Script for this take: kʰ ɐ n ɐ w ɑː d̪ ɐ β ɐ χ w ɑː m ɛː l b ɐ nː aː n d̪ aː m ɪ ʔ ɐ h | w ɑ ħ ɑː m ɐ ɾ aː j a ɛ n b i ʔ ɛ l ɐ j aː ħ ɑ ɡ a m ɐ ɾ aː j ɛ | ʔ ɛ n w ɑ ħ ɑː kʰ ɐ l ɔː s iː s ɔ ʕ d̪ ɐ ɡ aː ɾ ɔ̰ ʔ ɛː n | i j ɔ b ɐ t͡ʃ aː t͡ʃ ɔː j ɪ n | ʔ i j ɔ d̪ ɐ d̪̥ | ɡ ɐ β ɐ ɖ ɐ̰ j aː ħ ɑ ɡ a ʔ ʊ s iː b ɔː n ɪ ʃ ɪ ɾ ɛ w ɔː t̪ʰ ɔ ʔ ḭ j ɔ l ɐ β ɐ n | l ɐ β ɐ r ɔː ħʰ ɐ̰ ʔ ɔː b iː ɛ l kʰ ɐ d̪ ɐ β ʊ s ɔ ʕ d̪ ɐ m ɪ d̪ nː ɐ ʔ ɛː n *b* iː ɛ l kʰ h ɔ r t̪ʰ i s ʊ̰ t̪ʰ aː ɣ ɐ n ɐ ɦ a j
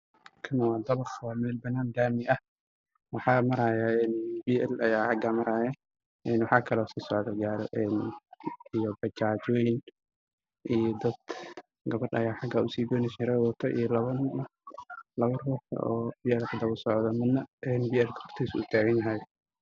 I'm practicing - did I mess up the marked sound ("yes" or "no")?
no